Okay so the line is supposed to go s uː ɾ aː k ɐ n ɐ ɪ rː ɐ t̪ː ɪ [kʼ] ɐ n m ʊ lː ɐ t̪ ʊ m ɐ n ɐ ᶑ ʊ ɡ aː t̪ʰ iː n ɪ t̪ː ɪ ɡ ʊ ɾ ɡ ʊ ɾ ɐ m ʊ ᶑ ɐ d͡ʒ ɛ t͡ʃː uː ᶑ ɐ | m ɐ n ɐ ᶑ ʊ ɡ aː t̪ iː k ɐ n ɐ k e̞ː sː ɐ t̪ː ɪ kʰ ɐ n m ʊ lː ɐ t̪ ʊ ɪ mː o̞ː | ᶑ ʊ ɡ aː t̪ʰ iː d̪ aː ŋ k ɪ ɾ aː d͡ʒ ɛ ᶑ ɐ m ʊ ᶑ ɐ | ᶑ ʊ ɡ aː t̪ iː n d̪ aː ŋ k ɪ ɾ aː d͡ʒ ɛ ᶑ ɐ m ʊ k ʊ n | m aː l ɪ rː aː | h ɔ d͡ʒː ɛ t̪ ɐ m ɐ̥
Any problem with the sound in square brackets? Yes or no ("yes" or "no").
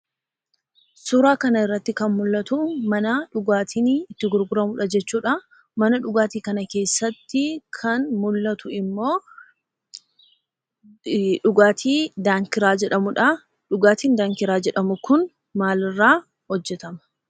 yes